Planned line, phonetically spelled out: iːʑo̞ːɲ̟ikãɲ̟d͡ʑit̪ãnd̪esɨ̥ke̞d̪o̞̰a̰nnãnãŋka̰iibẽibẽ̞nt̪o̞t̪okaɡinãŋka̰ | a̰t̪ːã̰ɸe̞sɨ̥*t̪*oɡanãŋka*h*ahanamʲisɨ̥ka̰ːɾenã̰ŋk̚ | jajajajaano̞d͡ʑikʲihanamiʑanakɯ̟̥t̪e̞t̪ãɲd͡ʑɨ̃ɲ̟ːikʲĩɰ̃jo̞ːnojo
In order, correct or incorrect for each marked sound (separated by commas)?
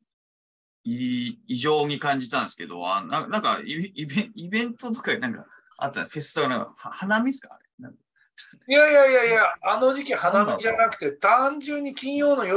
correct, correct